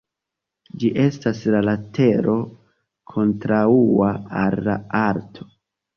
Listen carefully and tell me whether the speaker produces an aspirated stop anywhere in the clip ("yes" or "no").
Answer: yes